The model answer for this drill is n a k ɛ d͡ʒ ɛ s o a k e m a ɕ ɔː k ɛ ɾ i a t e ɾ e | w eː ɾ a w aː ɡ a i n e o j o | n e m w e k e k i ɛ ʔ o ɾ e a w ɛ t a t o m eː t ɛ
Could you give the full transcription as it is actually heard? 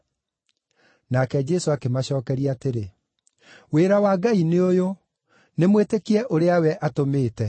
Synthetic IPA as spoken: n a k ɛ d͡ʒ ɛ s o a k e m a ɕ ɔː k ɛ ɾ i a t e ɾ e | w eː ɾ a w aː ɡ a i n e o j o | n e m w e t e k i ɛ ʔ o ɾ e a w ɛ ʔ a t o m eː t ɛ